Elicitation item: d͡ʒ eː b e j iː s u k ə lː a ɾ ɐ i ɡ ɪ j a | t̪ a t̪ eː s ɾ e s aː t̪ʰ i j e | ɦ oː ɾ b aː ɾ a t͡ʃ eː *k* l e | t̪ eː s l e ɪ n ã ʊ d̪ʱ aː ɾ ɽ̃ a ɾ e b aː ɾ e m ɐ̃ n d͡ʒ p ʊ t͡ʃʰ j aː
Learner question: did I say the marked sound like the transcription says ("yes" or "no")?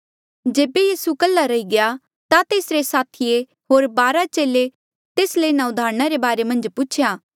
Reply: no